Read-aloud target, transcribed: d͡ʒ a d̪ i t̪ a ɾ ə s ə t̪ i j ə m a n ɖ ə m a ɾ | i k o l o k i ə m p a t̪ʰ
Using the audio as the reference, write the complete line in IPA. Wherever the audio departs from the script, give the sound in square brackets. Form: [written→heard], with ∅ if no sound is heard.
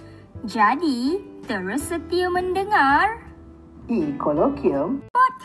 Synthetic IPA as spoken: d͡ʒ a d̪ i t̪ [a→ə] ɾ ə s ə t̪ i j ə m [a→ə] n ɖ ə [m→ŋ] a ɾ | i k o l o k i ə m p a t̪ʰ